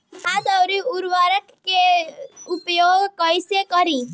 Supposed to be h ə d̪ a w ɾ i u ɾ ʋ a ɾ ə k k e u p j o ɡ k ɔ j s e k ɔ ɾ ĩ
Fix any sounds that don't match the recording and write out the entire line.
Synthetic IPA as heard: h a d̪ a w ɾ i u ɾ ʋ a ɾ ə k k e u p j o ɡ k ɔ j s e k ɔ ɾ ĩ